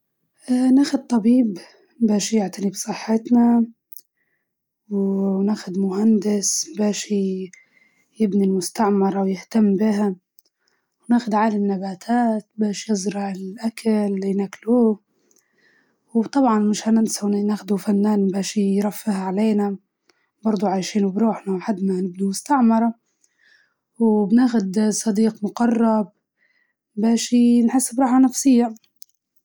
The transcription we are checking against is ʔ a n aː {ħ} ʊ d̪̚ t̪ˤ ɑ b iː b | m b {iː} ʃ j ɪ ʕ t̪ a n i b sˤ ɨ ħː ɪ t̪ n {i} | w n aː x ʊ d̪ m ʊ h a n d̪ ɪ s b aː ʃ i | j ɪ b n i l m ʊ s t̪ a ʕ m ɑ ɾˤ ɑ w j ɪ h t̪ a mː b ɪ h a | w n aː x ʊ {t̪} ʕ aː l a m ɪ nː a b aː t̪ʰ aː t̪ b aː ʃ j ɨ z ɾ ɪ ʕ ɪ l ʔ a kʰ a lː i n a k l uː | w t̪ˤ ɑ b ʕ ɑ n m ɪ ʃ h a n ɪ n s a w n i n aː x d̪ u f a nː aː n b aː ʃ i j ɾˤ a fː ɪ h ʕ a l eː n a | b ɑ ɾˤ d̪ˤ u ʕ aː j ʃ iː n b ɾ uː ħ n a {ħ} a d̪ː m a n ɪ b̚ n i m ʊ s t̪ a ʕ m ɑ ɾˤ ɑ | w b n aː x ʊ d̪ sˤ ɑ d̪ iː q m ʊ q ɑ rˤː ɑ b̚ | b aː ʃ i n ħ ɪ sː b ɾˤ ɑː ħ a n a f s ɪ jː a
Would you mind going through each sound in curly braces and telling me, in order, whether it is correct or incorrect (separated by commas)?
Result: incorrect, incorrect, incorrect, incorrect, correct